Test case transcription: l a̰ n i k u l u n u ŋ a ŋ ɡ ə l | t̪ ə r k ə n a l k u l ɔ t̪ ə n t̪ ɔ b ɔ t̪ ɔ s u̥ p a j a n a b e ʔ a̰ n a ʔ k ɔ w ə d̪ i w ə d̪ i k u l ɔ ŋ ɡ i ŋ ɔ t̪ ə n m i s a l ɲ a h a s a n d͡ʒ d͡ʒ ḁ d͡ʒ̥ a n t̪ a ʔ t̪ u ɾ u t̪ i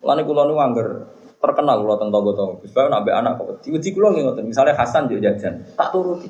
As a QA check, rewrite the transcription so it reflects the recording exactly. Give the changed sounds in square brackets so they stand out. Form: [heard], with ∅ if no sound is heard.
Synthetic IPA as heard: l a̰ n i k u l [ɔ] n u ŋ a ŋ ɡ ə [r] | t̪ ə r k ə n a l k u l ɔ t̪ ə n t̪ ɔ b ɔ t̪ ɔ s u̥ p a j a n a b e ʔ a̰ n a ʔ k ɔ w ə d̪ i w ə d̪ i k u l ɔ ŋ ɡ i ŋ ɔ t̪ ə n m i s a l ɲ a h a s a n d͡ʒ d͡ʒ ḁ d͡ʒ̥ a n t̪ a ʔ t̪ u ɾ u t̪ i